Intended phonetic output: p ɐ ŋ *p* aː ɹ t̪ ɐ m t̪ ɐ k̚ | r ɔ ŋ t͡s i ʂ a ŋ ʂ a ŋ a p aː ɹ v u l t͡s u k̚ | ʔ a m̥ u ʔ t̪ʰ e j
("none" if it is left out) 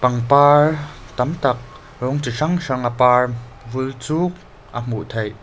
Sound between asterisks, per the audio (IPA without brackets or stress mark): p